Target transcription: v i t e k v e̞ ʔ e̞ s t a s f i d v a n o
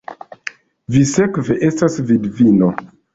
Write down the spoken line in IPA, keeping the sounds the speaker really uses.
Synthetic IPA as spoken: v i s e k v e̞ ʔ e̞ s t a s v i d v i n o